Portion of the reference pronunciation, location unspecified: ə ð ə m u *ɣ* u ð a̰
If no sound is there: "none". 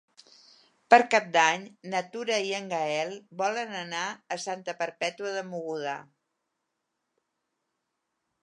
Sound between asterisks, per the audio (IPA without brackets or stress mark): ɣ